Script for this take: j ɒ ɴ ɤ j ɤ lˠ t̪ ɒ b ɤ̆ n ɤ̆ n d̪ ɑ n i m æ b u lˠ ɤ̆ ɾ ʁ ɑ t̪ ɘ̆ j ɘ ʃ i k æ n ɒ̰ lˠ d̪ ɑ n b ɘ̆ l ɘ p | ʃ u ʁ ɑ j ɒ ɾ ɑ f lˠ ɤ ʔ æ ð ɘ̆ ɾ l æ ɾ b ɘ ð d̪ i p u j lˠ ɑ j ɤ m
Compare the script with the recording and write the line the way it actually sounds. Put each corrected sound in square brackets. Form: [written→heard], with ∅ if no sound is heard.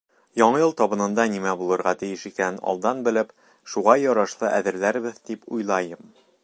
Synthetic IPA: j ɒ ɴ ɤ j ɤ lˠ t̪ ɒ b ɤ̆ n ɤ̆ n d̪ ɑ n i m æ b u lˠ ɤ̆ ɾ ʁ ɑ t̪ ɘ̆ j ɘ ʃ i k æ n ɒ̰ lˠ d̪ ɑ n b ɘ̆ l ɘ p | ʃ u ʁ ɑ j ɒ ɾ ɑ [f→ʃ] lˠ ɤ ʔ æ ð ɘ̆ ɾ l æ ɾ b ɘ ð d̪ i p u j lˠ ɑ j ɤ m